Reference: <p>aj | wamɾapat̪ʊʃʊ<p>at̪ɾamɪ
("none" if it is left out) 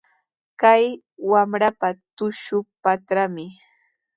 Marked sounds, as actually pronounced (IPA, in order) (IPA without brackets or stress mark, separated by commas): k, p